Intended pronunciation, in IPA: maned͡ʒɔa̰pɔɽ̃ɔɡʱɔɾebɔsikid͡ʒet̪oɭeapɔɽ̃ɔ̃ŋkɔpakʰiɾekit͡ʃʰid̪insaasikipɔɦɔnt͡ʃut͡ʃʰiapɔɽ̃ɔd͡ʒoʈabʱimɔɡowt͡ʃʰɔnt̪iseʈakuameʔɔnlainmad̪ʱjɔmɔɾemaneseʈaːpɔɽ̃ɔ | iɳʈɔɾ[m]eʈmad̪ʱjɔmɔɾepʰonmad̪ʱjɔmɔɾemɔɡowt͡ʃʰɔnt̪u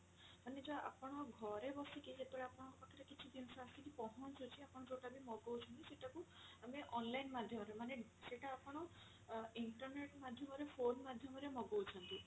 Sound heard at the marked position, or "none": n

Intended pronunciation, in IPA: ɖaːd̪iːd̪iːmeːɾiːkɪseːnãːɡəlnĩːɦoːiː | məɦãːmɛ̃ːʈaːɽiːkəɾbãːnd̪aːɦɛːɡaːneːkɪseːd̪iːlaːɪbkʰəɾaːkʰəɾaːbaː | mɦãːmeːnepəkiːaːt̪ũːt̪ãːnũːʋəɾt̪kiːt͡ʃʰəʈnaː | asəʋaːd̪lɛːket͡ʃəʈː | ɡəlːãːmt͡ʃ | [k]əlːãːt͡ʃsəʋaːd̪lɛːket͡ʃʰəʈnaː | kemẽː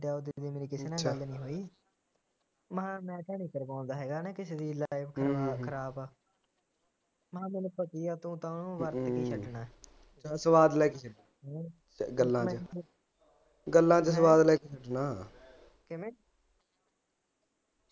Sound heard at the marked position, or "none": ɡ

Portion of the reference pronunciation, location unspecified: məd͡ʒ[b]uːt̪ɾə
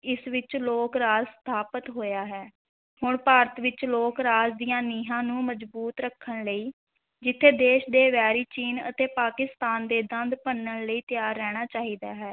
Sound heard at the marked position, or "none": b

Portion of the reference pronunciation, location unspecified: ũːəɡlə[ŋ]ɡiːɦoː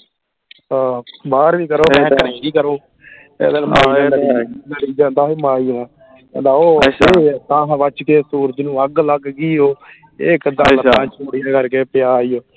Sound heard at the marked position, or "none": ɡ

